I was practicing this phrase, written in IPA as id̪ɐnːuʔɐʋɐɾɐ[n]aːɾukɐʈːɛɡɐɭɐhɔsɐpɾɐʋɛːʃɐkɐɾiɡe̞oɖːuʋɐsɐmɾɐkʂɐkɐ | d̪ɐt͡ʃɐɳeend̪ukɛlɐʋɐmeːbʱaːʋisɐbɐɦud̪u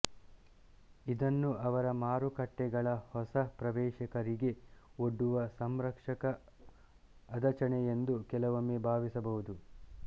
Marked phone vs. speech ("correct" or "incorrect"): incorrect